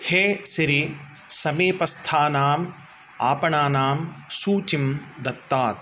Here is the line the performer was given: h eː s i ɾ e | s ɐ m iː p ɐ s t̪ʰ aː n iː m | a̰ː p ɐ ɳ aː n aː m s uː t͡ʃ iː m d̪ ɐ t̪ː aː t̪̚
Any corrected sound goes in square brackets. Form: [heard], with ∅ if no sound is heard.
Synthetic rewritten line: h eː s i ɾ [i] | s ɐ m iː p ɐ s t̪ʰ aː n [aː] m | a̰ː p ɐ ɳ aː n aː m s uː t͡ʃ [i] m d̪ ɐ t̪ː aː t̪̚